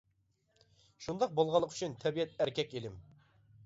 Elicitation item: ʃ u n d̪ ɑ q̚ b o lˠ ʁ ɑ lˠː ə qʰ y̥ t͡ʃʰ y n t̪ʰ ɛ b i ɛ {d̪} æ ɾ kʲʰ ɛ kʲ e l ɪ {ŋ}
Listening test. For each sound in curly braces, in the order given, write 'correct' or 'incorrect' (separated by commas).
incorrect, incorrect